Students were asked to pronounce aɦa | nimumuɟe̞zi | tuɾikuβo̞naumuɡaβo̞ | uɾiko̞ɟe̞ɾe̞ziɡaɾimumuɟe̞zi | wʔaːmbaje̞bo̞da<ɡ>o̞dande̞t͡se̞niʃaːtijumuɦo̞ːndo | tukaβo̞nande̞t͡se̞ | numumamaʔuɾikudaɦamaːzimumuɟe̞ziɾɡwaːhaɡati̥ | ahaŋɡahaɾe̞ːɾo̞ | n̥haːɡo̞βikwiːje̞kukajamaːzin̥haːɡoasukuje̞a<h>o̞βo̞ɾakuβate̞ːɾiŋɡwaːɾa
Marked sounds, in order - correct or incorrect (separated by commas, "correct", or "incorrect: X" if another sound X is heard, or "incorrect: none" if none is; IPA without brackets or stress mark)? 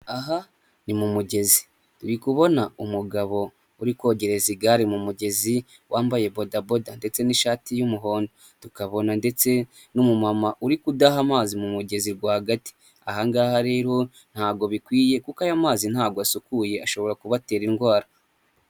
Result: incorrect: b, incorrect: ʃ